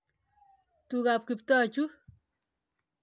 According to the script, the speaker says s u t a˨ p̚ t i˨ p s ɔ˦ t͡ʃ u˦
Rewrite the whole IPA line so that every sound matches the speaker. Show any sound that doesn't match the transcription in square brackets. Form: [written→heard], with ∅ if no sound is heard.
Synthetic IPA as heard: [s→t] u [t→k] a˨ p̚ [t→k] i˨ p [s→t] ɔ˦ t͡ʃ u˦